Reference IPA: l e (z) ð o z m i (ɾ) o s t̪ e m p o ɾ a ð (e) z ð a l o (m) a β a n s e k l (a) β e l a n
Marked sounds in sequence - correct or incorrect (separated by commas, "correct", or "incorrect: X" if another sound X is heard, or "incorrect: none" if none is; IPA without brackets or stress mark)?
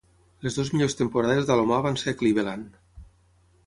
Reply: correct, incorrect: ʎ, correct, correct, incorrect: i